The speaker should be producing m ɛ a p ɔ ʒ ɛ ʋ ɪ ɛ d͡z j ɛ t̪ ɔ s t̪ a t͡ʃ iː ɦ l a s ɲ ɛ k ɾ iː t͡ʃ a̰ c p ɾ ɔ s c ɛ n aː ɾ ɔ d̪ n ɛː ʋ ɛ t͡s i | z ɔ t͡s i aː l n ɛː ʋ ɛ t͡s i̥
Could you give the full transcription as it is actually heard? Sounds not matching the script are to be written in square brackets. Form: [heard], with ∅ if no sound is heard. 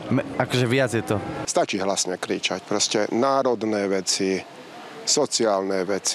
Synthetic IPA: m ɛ a [k] ɔ ʒ ɛ ʋ ɪ [a] d͡z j ɛ t̪ ɔ s t̪ a t͡ʃ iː ɦ l a s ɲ ɛ k ɾ iː t͡ʃ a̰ c p ɾ ɔ s c ɛ n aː ɾ ɔ d̪ n ɛː ʋ ɛ t͡s i | [s] ɔ t͡s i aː l n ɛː ʋ ɛ t͡s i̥